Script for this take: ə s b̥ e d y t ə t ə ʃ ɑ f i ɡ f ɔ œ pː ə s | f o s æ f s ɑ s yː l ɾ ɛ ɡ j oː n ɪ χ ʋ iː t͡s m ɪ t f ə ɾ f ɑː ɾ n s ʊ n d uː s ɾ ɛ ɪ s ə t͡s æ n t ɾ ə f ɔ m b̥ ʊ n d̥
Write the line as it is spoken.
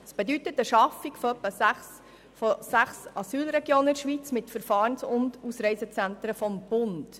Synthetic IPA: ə s b̥ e d y t ə t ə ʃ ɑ f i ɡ f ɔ œ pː ə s | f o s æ χ s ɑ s yː l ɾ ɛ ɡ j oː n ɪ ʃ ʋ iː t͡s m ɪ t f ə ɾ f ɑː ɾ n s ʊ n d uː s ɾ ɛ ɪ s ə t͡s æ n t ɾ ə f ɔ m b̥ ʊ n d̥